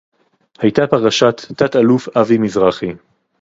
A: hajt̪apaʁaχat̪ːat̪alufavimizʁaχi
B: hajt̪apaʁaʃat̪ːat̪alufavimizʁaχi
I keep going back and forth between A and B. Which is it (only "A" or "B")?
B